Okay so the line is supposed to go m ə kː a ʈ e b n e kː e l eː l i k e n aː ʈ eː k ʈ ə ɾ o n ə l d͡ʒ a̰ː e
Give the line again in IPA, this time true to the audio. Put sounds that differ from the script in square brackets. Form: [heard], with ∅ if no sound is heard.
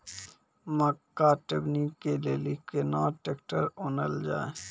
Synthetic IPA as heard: m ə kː a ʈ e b n [i] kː e l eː l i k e n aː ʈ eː k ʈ ə ɾ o n ə l d͡ʒ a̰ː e